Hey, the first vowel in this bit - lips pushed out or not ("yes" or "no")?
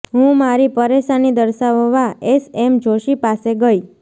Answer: yes